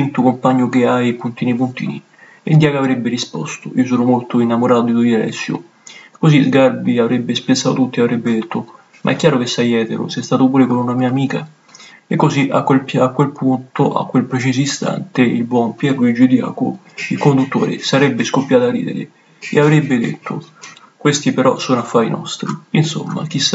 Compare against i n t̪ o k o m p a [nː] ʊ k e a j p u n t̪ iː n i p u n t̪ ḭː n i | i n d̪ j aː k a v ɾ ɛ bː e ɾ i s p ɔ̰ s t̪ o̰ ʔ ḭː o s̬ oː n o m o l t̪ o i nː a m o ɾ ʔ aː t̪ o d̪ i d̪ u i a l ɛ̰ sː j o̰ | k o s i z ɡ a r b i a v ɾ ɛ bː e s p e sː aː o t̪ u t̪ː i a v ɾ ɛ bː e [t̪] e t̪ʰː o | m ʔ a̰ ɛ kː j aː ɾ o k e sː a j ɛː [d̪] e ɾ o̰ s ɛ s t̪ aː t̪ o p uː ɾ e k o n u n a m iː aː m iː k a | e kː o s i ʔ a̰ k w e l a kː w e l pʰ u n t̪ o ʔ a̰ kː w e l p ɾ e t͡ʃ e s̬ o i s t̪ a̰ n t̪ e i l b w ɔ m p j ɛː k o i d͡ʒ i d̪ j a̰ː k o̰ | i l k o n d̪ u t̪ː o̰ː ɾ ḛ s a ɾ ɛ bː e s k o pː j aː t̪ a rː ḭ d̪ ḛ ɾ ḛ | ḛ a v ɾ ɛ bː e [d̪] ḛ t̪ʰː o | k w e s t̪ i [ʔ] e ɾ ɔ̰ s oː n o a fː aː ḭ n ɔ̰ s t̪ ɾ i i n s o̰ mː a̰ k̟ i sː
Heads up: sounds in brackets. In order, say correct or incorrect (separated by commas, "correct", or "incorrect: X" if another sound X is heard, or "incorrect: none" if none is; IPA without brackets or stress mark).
incorrect: ɲː, incorrect: d̪, incorrect: t̪, correct, incorrect: p